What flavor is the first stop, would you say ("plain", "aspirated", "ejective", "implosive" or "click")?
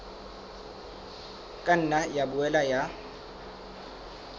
ejective